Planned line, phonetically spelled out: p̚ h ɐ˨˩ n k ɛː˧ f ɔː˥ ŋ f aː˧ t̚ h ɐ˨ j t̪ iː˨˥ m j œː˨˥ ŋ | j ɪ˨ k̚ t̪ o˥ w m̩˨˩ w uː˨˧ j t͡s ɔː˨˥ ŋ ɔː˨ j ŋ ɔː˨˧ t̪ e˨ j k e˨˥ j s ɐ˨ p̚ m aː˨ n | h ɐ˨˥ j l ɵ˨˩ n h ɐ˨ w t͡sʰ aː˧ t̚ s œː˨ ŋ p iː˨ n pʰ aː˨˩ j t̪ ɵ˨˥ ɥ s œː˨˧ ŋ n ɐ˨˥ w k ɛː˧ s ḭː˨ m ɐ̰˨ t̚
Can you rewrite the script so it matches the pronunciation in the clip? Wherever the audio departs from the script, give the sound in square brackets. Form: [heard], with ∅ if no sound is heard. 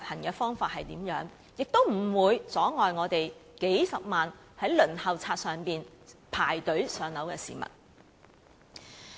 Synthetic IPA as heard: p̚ h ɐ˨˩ n k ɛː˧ f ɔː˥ ŋ f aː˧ t̚ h ɐ˨ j t̪ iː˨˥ m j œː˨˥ ŋ | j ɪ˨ k̚ t̪ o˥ w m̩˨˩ w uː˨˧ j t͡s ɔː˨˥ ŋ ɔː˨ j ŋ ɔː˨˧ t̪ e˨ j k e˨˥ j s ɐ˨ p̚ m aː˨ n | h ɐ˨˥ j l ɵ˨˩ n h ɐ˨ w t͡sʰ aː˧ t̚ s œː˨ ŋ p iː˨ n pʰ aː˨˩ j t̪ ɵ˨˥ ɥ s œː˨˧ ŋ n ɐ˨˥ w k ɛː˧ s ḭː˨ m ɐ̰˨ t̚